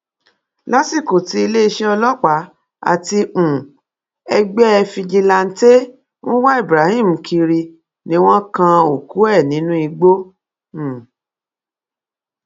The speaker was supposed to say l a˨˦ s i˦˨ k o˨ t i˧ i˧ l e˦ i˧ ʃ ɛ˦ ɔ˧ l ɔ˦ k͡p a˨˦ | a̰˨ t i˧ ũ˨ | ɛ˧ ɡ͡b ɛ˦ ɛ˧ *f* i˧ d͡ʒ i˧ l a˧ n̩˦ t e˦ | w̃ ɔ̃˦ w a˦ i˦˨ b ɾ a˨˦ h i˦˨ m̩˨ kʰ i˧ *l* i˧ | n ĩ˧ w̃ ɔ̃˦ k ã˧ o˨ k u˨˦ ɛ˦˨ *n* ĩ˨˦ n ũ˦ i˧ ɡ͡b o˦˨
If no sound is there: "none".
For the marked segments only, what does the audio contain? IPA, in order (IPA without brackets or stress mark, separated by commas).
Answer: f, ɾ, n